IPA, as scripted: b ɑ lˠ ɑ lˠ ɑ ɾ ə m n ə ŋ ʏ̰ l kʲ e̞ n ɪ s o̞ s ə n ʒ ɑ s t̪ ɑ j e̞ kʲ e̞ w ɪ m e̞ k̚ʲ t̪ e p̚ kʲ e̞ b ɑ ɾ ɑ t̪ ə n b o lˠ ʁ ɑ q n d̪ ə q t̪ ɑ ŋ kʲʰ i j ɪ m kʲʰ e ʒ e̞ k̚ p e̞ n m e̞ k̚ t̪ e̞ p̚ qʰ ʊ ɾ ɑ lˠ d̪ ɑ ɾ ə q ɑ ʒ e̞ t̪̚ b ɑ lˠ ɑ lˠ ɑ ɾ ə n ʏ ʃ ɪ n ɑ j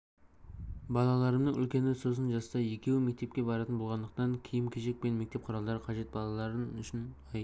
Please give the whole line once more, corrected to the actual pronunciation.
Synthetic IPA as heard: b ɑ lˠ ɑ lˠ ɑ ɾ ə m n ə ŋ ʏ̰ l kʲ e̞ n ɪ s o̞ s ə n ʒ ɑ s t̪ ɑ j e̞ kʲ e̞ w ɪ m e̞ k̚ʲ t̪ e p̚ kʲ e̞ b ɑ ɾ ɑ t̪ ə n b o lˠ ʁ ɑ n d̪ ə q t̪ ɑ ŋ kʲʰ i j ɪ m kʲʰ e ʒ e̞ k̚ p e̞ n m e̞ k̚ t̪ e̞ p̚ qʰ ʊ ɾ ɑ lˠ d̪ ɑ ɾ ə qʰ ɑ ʒ e̞ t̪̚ b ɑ lˠ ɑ lˠ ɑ ɾ ə n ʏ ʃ ɪ n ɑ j